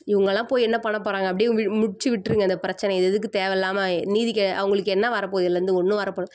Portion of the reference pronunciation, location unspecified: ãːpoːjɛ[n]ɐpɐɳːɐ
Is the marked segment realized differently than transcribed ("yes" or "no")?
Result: yes